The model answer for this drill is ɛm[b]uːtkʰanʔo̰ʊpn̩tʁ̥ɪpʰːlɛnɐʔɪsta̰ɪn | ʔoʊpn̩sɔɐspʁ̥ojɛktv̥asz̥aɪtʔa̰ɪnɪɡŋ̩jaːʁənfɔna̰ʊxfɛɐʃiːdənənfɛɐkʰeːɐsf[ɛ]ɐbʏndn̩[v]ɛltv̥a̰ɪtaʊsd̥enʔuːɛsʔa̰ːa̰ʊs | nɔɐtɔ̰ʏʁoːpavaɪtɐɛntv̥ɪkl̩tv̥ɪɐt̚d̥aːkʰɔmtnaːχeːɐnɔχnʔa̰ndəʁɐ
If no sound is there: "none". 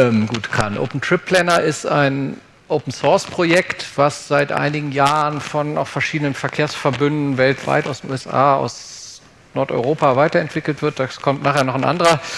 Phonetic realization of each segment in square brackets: ɡ, ɛ, v

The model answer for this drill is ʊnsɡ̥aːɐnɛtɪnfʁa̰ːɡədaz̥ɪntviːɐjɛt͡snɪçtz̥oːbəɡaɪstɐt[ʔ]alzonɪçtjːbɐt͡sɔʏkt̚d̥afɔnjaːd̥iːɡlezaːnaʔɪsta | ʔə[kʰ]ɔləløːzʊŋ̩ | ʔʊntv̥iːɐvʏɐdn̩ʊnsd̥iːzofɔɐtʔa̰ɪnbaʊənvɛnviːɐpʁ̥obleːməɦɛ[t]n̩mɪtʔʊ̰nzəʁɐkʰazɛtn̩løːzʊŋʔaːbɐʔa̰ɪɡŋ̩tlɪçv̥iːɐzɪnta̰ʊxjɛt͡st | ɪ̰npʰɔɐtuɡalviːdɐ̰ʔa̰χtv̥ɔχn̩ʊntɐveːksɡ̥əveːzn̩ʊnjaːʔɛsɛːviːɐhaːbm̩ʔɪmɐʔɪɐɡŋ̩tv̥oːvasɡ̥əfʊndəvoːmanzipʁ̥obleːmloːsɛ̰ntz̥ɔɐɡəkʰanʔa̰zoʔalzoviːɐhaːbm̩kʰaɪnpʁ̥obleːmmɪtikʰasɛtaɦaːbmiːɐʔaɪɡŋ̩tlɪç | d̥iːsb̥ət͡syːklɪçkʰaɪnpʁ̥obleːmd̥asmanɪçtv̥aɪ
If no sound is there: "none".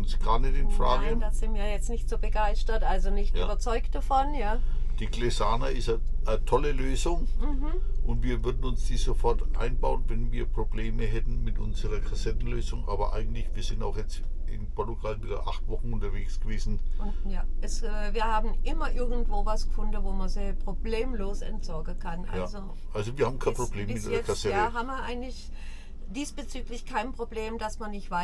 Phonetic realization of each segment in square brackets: ʔ, tʰ, t

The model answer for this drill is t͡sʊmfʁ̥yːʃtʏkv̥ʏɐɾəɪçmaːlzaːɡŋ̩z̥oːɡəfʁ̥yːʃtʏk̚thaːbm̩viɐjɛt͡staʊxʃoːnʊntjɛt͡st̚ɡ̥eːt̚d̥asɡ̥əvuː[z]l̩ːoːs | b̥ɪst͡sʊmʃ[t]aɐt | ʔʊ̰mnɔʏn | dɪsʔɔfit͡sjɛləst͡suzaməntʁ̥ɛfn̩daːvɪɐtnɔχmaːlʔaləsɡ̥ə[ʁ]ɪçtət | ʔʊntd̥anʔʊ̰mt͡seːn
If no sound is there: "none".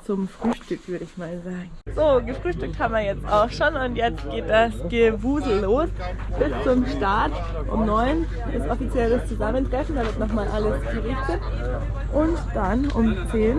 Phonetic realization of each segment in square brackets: z, t, ʁ

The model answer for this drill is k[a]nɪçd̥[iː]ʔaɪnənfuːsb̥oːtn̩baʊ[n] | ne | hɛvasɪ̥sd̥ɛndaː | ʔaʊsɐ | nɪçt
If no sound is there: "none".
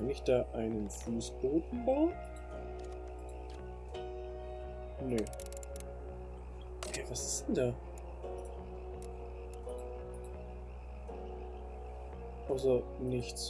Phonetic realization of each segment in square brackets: a, aː, n

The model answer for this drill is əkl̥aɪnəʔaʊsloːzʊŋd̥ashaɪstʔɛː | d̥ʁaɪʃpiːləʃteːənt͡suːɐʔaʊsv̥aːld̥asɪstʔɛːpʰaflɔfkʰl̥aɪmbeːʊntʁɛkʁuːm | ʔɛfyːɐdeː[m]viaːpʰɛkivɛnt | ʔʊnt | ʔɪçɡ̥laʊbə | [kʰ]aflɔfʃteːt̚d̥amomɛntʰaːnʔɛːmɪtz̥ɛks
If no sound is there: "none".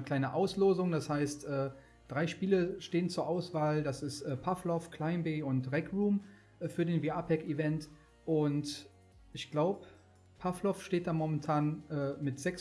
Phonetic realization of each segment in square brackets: n, pʰ

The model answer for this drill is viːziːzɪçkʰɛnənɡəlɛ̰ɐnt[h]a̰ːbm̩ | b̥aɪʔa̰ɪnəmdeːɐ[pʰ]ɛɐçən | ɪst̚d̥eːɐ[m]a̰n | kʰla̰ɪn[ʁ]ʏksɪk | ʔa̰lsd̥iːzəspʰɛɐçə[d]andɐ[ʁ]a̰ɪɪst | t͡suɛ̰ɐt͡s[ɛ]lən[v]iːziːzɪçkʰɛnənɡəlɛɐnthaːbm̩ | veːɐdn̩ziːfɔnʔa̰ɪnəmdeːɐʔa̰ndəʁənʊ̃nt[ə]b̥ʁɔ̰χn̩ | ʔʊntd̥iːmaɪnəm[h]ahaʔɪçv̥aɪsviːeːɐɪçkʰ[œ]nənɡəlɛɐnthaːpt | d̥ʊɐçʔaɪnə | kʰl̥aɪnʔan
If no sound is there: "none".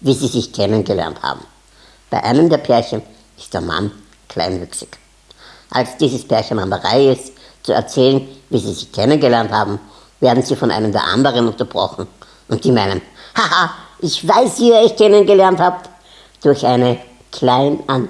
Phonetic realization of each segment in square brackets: h, pʰ, m, v, n, ʁ, ɛː, v, ɐ, h, ɛ

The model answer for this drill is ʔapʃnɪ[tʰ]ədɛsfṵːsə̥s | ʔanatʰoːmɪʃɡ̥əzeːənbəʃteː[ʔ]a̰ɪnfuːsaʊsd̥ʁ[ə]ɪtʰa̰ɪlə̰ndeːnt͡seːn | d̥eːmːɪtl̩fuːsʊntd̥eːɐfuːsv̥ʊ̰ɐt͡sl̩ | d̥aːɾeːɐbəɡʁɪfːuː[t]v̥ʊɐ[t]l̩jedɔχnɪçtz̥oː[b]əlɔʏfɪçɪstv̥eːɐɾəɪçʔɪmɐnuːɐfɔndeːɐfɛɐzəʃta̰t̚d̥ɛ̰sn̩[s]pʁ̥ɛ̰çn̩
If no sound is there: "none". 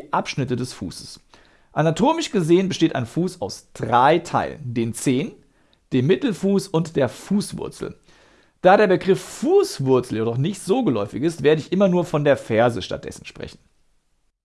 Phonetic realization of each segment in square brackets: t, t, a, s, t͡s, ɡ, ʃ

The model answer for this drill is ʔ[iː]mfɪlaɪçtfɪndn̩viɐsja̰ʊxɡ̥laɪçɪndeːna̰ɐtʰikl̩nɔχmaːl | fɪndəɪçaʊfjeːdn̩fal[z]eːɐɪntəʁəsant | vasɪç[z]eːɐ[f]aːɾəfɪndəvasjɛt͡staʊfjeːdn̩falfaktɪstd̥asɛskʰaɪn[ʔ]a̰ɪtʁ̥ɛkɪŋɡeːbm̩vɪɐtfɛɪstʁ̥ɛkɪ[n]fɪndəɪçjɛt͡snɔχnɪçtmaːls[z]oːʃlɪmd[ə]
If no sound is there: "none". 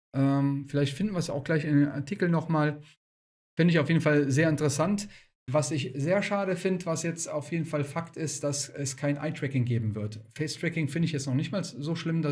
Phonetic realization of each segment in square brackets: ɛː, z, z, ʃ, ʔ, ŋ, z, a

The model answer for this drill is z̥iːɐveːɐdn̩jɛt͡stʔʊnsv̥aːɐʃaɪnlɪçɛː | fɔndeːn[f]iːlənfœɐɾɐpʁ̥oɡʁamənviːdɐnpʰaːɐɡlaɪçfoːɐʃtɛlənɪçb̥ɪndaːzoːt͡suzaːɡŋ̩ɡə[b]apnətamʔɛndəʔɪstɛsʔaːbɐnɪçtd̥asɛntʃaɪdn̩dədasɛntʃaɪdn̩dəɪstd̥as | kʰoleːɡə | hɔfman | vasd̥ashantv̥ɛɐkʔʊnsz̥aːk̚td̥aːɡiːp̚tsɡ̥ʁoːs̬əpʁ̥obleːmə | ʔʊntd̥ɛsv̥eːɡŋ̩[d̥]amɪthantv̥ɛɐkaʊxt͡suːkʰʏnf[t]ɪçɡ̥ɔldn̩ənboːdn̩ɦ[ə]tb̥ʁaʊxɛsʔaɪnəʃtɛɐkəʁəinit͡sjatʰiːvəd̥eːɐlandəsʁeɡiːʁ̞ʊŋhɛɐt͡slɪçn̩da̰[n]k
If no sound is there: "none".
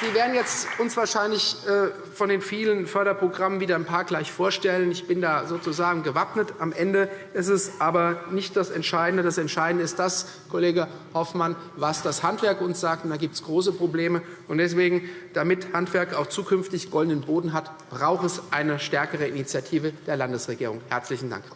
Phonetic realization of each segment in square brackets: f, v, d̥, t, a, ŋ

